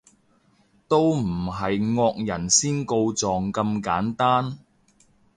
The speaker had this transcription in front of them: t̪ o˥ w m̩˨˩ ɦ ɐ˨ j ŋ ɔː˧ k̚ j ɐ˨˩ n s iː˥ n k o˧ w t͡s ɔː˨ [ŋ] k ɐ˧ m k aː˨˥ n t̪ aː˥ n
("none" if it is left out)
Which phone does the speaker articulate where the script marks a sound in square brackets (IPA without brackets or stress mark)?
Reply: ŋ